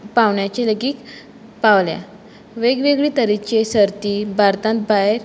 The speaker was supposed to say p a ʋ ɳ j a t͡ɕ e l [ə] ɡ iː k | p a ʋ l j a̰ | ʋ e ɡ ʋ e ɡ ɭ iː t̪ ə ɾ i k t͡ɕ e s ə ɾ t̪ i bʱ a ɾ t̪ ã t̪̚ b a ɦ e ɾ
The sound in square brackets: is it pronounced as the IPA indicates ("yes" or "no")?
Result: yes